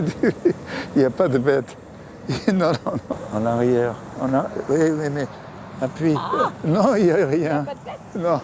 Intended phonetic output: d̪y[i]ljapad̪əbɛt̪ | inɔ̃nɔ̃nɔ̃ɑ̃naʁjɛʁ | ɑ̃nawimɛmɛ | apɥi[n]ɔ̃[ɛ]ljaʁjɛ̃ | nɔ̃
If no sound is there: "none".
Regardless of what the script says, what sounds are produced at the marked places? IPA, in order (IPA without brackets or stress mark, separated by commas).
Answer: i, n, i